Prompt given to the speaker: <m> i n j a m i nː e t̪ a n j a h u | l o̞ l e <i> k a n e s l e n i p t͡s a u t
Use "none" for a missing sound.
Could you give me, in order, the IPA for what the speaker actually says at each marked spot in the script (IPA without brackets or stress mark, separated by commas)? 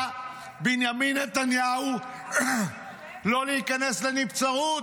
b, i